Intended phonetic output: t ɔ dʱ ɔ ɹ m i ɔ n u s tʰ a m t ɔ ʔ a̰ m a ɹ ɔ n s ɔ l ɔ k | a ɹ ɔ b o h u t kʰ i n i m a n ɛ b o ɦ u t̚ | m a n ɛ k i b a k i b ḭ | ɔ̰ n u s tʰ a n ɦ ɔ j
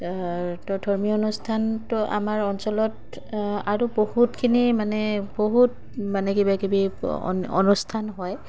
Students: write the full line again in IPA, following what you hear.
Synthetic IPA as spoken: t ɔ dʱ ɔ ɹ m i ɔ n u s tʰ a n t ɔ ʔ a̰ m a ɹ ɔ n s ɔ l ɔ t | a ɹ u b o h u t kʰ i n i m a n ɛ b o ɦ u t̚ | m a n ɛ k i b a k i b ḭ | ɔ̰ n u s tʰ a n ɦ ɔ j